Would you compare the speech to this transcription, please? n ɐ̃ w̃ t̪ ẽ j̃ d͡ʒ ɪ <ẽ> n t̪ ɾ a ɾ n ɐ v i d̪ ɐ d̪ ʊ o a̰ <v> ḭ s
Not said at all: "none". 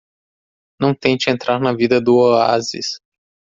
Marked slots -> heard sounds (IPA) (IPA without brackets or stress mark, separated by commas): ẽ, z